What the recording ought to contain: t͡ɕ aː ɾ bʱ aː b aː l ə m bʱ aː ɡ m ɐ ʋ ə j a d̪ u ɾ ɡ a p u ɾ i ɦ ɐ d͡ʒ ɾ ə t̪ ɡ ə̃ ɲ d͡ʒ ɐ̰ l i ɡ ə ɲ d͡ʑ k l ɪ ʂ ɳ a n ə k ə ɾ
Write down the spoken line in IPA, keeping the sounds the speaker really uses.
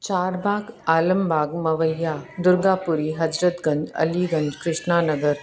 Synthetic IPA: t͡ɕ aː ɾ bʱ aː ɡ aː l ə m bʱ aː ɡ m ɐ ʋ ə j a d̪ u ɾ ɡ a p u ɾ i ɦ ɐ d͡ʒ ɾ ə t̪ ɡ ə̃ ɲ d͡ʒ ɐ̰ l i ɡ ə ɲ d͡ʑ k ɾ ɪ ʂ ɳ a n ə ɡ ə ɾ